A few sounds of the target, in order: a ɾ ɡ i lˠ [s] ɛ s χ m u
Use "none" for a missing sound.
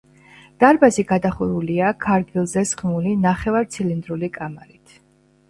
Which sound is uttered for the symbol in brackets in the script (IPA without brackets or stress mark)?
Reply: z